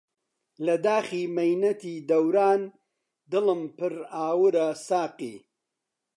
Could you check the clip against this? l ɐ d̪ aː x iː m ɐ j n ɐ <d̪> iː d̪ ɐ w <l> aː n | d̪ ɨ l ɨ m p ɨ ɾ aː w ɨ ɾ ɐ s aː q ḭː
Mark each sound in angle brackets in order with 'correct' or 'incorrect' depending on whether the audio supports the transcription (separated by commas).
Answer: incorrect, incorrect